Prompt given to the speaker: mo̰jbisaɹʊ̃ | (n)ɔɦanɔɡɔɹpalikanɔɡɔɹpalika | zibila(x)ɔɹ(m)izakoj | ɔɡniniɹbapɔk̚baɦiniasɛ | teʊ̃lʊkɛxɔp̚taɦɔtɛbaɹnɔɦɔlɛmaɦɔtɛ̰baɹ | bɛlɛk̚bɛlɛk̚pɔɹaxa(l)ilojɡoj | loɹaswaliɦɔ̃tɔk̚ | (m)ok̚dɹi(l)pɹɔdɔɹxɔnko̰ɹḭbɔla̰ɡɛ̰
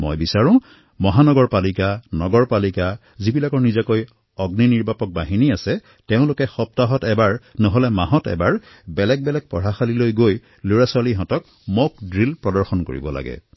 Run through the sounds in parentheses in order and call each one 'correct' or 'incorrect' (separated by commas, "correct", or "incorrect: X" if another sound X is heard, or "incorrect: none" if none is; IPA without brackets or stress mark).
incorrect: m, incorrect: k, incorrect: n, correct, correct, correct